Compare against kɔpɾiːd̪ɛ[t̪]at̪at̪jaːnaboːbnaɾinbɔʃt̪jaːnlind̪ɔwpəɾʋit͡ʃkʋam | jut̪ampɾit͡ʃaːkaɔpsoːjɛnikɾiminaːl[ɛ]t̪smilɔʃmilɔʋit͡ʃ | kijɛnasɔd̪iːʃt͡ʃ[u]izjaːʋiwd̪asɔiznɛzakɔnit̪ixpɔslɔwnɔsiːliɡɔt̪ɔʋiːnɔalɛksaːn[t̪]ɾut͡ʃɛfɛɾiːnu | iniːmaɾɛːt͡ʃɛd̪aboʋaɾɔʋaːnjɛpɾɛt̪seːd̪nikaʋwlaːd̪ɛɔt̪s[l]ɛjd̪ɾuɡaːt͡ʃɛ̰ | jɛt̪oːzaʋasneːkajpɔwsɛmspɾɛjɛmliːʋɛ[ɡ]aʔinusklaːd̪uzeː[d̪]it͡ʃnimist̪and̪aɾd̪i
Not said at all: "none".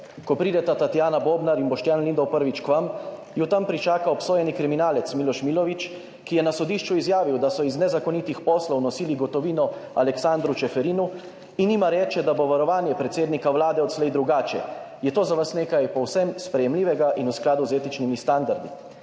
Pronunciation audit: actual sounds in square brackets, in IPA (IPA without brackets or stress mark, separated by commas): t̪, ɛ, u, d̪, l, ɡ, t̪